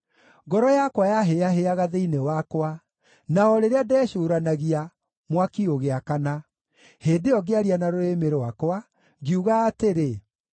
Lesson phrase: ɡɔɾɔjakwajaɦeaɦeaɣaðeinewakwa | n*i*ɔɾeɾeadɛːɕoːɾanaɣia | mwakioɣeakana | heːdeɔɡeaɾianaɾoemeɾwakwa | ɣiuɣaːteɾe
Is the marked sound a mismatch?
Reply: yes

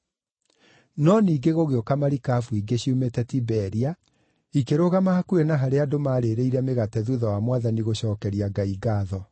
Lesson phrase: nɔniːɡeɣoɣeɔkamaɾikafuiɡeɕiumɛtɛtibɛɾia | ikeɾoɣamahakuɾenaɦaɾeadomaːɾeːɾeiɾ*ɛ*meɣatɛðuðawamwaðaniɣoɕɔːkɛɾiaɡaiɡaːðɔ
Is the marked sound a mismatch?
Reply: no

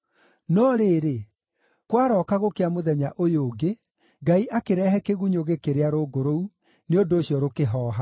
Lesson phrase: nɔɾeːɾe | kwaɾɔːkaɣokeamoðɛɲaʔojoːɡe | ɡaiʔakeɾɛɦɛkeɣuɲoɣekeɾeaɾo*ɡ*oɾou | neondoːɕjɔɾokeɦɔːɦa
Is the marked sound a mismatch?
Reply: no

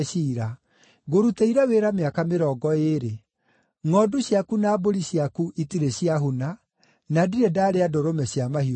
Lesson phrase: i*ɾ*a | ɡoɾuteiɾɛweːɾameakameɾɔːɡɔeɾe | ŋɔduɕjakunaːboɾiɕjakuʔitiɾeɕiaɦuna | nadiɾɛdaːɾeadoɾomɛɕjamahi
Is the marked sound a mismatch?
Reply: no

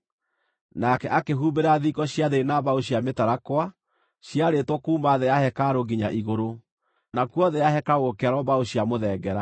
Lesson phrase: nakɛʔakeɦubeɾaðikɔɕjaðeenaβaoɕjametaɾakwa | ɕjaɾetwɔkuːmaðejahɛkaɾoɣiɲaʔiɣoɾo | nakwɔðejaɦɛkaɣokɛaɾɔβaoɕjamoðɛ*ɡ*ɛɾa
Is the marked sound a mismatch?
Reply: no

